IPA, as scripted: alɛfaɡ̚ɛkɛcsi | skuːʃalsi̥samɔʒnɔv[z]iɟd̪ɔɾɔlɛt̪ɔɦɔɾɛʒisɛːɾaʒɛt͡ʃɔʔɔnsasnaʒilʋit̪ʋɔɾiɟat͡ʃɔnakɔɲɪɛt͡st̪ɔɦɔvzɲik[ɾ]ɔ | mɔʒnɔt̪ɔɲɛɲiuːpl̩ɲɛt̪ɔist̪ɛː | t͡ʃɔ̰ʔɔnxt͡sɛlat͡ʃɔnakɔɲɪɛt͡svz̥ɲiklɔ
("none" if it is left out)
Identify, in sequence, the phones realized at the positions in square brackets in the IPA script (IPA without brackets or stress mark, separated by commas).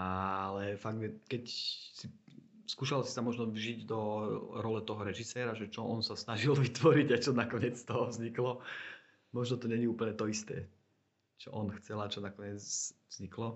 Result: ʒ, l